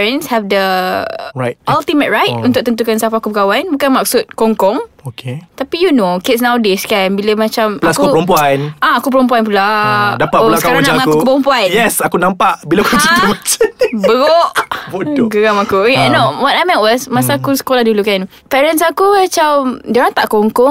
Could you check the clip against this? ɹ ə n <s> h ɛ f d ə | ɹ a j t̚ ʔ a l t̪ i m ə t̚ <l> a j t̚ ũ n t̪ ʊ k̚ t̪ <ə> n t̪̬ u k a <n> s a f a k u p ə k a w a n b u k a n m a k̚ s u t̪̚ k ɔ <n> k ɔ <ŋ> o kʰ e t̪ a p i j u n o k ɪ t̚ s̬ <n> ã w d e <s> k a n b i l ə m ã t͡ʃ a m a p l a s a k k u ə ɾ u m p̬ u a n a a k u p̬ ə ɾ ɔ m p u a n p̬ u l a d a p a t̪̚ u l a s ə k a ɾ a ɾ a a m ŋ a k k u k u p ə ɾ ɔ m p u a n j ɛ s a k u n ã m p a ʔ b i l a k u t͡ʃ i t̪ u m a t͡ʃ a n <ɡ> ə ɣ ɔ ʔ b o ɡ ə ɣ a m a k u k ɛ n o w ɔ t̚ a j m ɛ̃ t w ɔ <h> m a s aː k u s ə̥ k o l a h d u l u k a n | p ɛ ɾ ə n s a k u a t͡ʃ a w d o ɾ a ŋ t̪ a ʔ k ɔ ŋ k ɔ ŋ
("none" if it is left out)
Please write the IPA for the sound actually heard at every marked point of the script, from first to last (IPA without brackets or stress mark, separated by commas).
s, ɹ, ə, n, ŋ, ŋ, n, s, b, s